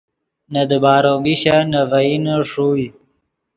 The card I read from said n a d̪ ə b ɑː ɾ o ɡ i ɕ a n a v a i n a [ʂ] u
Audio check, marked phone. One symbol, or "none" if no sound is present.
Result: ʂ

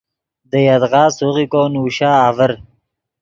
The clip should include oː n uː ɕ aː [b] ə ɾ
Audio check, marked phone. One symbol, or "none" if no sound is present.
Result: v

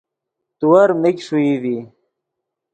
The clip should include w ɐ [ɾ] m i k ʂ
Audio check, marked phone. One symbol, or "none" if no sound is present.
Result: ɾ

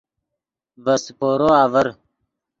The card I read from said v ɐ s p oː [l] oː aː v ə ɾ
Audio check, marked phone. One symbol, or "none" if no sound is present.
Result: ɾ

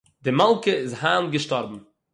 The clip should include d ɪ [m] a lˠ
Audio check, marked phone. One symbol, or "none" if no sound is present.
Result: m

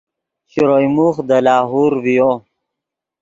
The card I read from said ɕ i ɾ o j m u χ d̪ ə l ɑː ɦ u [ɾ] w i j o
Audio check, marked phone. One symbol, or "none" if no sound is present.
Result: ɾ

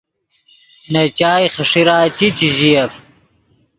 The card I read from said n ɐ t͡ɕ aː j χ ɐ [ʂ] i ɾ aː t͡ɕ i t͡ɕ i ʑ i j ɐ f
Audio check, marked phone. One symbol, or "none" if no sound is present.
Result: ʂ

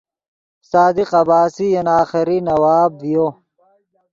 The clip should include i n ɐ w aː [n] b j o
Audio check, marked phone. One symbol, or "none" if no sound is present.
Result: none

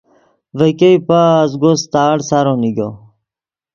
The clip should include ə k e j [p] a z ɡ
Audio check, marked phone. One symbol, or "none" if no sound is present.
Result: p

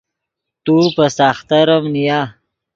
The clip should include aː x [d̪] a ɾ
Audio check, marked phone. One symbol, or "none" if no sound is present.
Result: t̪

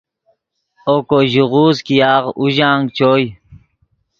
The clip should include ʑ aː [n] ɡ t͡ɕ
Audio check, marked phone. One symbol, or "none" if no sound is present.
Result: ŋ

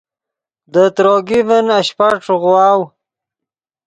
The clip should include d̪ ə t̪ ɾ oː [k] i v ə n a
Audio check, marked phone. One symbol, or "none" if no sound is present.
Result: ɡ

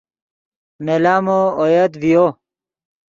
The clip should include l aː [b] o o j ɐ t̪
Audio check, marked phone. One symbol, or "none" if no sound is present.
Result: m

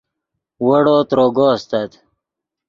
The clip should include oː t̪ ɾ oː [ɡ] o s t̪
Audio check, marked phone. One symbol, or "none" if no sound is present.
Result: ɡ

